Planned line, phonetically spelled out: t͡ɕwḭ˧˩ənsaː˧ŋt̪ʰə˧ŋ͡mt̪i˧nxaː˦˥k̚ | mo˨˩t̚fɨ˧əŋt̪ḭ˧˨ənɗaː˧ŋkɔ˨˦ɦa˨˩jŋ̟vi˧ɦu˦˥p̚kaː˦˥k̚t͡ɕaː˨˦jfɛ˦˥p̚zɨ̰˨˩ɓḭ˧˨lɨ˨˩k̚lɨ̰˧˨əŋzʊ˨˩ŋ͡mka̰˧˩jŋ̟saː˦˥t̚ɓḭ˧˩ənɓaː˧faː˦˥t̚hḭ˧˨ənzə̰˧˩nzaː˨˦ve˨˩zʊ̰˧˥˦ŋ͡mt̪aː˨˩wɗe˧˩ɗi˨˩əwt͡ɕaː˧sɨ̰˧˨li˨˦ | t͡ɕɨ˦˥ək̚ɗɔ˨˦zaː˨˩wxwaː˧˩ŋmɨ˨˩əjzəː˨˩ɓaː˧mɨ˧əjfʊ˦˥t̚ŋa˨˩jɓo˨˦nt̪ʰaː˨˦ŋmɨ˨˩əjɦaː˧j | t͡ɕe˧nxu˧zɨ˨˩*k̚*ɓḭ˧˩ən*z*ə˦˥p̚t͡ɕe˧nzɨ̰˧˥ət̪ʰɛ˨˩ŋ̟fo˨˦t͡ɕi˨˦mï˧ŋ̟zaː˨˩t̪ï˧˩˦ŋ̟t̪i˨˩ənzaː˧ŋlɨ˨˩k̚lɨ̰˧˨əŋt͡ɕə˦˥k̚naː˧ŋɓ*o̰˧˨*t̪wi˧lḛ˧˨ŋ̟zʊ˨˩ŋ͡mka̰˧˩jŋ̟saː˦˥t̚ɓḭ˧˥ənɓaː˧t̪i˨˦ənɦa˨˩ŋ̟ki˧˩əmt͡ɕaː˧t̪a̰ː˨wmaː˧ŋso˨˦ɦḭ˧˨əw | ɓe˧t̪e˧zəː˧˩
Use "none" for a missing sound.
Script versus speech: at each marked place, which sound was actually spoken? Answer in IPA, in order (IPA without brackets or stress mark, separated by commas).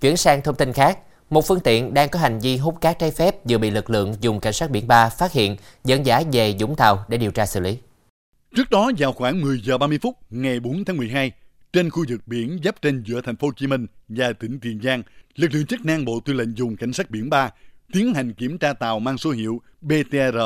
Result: k̚, z, o̰˧˨